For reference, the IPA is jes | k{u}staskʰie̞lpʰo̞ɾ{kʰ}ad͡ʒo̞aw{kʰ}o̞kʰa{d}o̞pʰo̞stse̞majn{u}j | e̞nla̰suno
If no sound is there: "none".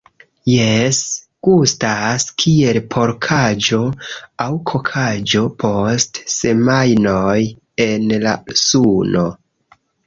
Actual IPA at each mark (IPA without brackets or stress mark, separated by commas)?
u, kʰ, kʰ, d͡ʒ, o